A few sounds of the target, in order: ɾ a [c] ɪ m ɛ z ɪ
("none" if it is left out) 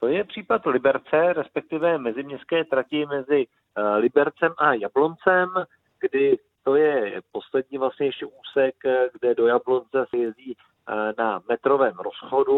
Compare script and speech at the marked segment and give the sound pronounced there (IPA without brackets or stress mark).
c